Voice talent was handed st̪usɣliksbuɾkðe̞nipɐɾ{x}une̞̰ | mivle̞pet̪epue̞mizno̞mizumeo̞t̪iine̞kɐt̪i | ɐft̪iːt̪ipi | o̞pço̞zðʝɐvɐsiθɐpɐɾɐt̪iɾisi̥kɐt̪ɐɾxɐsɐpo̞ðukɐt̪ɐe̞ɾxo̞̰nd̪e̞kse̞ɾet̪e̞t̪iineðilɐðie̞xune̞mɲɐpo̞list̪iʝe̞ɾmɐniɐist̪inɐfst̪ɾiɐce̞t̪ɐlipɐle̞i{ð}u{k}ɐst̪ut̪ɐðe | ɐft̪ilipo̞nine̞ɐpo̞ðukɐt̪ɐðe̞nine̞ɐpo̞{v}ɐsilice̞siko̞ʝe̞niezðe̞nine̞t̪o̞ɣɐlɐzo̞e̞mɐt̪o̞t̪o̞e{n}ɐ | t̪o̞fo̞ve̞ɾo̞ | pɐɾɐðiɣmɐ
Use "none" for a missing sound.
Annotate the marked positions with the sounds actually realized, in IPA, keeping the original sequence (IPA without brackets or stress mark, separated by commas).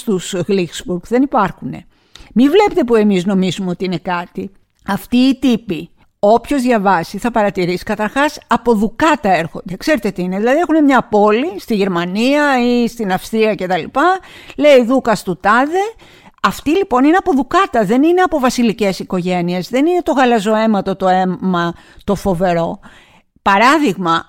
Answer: x, ð, k, v, m